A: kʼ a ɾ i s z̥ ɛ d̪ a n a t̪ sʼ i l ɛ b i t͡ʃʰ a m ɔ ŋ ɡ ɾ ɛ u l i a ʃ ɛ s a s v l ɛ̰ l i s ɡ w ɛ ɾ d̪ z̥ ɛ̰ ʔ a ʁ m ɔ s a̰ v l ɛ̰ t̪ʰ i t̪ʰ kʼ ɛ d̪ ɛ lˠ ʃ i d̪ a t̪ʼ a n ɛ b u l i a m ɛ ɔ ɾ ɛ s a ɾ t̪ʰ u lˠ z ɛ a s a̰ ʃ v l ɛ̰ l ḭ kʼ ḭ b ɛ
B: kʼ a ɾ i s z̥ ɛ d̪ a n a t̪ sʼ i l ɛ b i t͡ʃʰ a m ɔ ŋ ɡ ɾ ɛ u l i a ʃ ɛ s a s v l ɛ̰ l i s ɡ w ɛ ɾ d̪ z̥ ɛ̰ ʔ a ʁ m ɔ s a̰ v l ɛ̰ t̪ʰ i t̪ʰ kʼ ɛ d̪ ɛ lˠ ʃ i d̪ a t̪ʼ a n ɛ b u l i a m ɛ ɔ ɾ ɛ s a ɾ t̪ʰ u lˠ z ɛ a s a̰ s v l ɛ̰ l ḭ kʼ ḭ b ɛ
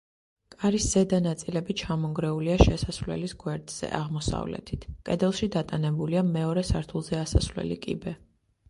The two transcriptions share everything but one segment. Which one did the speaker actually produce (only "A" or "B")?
B